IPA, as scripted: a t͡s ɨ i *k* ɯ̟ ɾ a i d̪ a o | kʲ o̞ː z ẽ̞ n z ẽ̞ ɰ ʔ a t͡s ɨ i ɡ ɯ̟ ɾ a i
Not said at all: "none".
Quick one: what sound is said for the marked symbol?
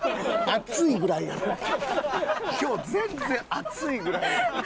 ɡ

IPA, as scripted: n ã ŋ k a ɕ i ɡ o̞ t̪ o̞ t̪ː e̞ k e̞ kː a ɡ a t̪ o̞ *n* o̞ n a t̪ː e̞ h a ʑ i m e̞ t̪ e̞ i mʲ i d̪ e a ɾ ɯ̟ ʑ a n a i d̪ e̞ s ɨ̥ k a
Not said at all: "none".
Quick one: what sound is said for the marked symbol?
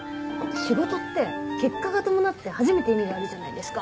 m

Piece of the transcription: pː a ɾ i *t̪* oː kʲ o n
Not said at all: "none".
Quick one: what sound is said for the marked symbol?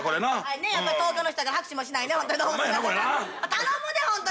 t̪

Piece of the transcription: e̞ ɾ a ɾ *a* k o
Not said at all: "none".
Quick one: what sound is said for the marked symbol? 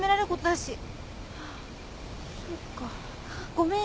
e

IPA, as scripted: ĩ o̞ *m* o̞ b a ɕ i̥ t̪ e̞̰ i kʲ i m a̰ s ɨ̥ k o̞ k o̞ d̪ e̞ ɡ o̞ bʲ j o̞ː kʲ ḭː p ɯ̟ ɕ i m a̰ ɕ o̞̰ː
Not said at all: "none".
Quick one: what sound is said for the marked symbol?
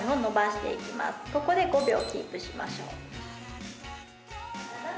n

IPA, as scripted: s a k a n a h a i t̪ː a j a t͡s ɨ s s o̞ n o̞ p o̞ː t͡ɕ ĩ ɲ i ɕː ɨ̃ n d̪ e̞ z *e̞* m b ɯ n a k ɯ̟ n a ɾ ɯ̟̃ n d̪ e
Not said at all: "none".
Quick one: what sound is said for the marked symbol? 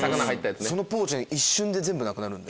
ẽ̞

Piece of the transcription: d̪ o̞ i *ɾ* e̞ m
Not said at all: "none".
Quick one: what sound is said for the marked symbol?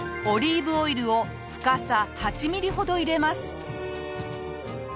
ɾ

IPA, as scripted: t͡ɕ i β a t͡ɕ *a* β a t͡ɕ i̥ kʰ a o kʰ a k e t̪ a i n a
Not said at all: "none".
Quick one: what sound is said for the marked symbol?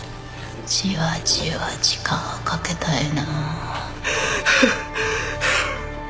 i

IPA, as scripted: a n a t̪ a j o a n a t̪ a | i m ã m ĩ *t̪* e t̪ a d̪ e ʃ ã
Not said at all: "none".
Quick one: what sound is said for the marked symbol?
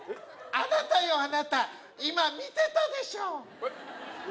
t̪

